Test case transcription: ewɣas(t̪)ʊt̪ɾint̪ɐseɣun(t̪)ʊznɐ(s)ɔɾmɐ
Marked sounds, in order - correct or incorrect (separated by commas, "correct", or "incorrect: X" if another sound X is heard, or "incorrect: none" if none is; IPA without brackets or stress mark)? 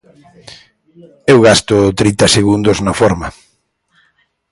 correct, incorrect: d̪, incorrect: f